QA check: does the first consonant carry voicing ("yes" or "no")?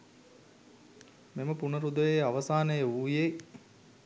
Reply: yes